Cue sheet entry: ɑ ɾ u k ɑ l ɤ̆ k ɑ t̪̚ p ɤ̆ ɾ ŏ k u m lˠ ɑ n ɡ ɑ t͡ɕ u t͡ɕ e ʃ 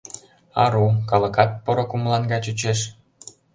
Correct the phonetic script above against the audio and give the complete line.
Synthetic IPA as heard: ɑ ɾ u k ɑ l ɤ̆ k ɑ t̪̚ p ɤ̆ ɾ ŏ k u m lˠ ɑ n ɡ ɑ t͡ɕ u t͡ɕ e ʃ